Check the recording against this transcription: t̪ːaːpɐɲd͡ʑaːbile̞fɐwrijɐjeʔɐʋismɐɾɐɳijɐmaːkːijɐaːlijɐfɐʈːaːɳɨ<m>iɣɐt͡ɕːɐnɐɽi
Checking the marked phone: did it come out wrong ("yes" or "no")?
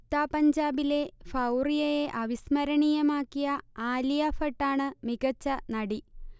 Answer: no